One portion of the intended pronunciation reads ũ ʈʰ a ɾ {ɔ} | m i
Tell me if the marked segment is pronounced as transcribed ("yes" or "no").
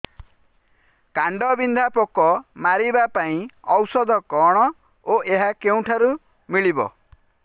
no